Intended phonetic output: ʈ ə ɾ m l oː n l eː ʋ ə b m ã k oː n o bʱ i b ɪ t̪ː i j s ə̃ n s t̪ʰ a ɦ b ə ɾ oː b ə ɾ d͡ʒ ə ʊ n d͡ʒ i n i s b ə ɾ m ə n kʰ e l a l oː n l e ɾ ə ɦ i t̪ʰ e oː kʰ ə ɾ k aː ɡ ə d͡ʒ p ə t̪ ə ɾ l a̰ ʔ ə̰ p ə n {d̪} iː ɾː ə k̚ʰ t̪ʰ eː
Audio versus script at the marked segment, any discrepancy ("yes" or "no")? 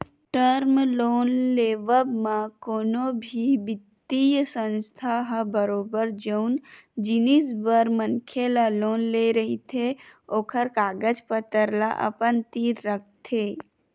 yes